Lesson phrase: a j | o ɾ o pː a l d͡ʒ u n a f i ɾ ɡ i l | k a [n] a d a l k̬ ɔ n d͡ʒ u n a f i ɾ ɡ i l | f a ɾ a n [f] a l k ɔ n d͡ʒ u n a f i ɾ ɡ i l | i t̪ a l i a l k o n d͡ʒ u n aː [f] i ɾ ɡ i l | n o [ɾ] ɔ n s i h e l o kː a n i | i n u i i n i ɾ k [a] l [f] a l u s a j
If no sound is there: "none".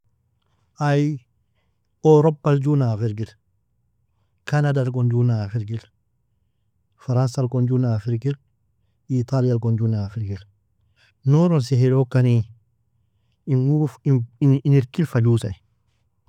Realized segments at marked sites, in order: n, s, f, ɾ, i, f

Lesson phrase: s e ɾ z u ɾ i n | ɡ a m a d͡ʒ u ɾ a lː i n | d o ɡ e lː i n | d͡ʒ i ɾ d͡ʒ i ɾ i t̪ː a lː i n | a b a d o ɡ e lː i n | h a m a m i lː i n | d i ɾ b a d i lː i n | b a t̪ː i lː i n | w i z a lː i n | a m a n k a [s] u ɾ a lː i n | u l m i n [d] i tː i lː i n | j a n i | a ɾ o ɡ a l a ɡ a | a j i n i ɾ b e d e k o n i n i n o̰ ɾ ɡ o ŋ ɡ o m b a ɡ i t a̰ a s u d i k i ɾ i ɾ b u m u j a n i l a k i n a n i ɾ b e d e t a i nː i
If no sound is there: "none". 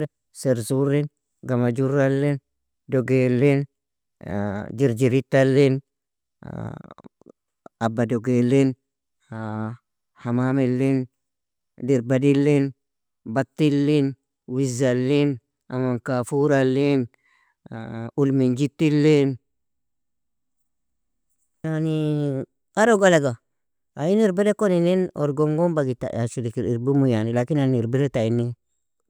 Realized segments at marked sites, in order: f, d͡ʒ

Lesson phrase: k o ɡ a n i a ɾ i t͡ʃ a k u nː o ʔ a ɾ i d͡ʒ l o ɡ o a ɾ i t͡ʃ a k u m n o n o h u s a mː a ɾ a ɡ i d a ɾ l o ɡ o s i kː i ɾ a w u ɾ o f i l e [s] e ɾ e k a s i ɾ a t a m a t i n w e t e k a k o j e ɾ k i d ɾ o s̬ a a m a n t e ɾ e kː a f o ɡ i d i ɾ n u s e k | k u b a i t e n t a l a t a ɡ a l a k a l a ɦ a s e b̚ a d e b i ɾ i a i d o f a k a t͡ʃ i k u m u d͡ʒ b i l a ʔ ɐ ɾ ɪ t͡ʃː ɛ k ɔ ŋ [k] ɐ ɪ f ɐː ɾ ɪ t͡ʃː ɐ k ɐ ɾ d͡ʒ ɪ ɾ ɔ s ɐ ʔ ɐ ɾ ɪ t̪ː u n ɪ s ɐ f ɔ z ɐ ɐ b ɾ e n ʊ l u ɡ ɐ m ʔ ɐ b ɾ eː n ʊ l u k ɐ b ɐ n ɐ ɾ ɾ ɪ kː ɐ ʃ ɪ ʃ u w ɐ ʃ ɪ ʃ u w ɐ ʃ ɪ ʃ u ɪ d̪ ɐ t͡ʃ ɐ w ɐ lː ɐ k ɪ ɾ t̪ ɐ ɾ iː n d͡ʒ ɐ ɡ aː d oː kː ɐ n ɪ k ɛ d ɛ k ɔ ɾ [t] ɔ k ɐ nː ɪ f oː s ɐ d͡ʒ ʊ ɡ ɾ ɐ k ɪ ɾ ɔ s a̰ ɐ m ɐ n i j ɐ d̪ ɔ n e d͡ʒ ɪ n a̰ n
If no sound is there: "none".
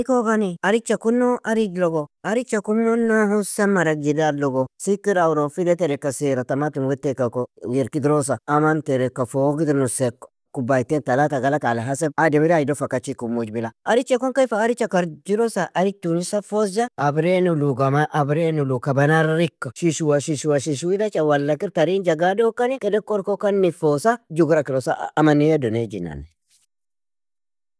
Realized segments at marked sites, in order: t, k, k

